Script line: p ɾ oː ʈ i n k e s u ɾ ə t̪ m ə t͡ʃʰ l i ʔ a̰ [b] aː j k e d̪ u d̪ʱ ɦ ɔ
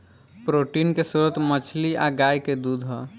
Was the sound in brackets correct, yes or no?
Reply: no